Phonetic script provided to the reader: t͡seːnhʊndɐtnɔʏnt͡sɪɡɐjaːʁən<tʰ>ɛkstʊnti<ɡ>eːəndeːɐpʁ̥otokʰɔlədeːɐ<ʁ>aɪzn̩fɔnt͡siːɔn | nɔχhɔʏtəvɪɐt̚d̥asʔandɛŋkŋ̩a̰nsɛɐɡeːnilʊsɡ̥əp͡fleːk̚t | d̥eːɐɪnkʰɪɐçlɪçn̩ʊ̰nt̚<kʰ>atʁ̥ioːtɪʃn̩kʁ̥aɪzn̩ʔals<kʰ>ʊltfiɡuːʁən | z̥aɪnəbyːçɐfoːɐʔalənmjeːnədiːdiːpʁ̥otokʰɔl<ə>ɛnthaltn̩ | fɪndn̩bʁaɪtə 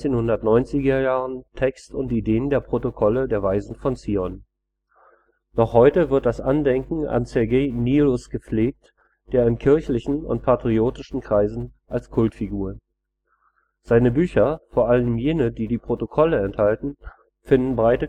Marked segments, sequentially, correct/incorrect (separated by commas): correct, incorrect, incorrect, incorrect, correct, correct